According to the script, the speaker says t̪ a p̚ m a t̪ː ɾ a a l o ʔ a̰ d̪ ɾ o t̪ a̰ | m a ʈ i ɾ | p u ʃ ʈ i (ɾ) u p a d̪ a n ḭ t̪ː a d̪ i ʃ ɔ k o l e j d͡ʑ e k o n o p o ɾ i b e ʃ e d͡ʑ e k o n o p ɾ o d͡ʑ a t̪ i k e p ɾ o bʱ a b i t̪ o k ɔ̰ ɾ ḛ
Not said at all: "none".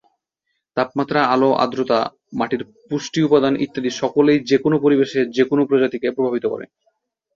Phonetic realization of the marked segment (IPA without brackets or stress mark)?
none